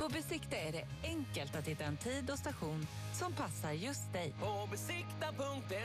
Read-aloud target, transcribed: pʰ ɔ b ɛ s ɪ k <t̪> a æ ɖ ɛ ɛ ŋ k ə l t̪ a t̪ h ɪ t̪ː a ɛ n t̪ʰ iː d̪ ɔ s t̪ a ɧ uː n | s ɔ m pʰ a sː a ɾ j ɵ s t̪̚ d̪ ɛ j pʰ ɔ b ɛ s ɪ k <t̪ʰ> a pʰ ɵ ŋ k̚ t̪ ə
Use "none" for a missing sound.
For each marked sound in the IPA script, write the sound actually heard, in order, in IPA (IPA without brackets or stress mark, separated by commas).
t̪, t̪